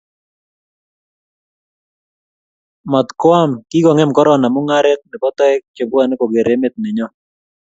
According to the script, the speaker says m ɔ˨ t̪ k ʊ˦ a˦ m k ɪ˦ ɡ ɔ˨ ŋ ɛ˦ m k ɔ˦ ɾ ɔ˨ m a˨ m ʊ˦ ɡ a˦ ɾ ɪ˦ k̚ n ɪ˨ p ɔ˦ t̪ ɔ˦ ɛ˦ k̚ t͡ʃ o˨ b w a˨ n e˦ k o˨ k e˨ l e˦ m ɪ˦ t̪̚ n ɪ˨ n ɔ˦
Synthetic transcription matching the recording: m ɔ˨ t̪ k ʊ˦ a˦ m k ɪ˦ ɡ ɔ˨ ŋ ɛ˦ m k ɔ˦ ɾ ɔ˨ n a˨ m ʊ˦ ŋ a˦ ɾ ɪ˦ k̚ n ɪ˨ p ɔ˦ t̪ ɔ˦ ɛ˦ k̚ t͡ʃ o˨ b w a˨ n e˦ k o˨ ɡ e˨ ɾ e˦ m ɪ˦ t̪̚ n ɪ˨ ɲ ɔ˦